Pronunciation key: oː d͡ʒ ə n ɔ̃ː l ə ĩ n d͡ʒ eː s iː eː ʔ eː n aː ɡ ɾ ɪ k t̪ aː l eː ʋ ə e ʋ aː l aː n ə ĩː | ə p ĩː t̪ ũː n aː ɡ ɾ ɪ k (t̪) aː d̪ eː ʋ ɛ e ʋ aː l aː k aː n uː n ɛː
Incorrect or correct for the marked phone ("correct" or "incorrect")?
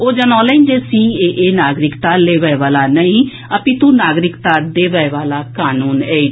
correct